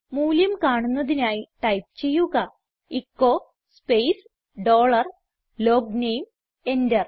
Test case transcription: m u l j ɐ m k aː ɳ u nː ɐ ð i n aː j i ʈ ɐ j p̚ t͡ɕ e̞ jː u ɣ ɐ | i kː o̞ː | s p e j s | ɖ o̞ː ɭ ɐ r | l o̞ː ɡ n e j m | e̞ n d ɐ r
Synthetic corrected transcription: m uː l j ɐ m k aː ɳ u nː ɐ ð i n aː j i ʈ ɐ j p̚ t͡ɕ e̞ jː u ɣ ɐ | i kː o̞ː | s p e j s | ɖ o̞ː ɭ ɐ r | l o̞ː ɡ n e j m | e̞ n d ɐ r

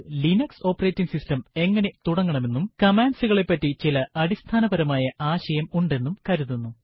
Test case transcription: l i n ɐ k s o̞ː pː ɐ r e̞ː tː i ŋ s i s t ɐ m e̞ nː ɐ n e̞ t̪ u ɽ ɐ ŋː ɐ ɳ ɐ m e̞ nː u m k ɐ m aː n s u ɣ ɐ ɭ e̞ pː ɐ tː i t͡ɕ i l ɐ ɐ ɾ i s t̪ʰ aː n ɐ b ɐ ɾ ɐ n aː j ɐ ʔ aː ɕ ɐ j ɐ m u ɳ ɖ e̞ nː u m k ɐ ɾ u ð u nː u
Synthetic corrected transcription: l i n ɐ k s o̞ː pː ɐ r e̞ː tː i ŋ s i s t ɐ m e̞ ŋː ɐ n e̞ t̪ u ɽ ɐ ŋː ɐ ɳ ɐ m e̞ nː u m k ɐ m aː n s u ɣ ɐ ɭ e̞ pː ɐ tː i t͡ɕ i l ɐ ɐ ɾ i s t̪ʰ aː n ɐ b ɐ ɾ ɐ m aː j ɐ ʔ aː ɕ ɐ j ɐ m u ɳ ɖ e̞ nː u m k ɐ ɾ u ð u nː u

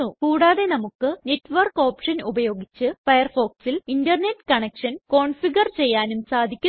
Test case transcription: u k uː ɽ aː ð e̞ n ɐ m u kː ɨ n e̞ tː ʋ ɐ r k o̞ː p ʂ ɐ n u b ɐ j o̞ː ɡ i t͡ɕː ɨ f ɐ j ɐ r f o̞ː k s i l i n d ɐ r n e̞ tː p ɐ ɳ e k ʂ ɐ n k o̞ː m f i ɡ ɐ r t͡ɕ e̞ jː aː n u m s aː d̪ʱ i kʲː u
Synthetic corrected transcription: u k uː ɽ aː ð e̞ n ɐ m u kː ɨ n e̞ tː ʋ ɐ r k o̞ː p ʂ ɐ n u b ɐ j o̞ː ɡ i t͡ɕː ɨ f ɐ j ɐ r f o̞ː k s i l i n d ɐ r n e̞ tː k ɐ ɳ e k ʂ ɐ n k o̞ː ɳ f i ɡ ɐ r t͡ɕ e̞ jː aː n u m s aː d̪ʱ i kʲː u

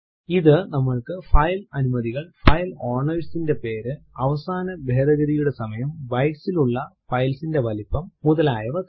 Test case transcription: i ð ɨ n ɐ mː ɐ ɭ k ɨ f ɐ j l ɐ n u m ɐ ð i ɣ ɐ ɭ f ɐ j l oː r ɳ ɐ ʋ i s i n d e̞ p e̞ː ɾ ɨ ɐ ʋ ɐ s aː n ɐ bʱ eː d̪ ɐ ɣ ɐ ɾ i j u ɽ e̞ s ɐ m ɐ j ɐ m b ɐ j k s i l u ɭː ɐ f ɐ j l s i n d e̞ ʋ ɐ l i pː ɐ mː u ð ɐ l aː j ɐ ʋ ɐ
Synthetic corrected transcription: i ð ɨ n ɐ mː ɐ ɭ k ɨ f ɐ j l ɐ n u m ɐ ð i ɣ ɐ ɭ f ɐ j l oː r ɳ ɐ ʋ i s i n d e̞ p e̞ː ɾ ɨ ɐ ʋ ɐ s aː n ɐ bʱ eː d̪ ɐ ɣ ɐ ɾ i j u ɽ e̞ s ɐ m ɐ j ɐ m b ɐ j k s i l u ɭː ɐ f ɐ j l s i n d e̞ ʋ ɐ l i pː ɐ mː u ð ɐ l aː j ɐ ʋ ɐ

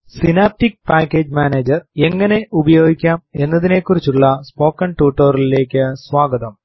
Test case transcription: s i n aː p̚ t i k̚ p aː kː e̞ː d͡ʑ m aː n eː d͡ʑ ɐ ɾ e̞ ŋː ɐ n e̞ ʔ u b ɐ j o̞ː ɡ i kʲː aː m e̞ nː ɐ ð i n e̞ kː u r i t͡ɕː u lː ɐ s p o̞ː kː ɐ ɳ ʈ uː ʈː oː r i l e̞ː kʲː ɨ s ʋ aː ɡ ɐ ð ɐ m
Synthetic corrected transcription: s i n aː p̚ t i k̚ p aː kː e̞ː d͡ʑ m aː n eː d͡ʑ ɐ r e̞ ŋː ɐ n e̞ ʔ u b ɐ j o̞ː ɡ i kʲː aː m e̞ nː ɐ ð i n e̞ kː u r i t͡ɕː u ɭː ɐ s p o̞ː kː ɐ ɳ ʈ uː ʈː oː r i l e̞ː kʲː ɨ s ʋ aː ɡ ɐ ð ɐ m

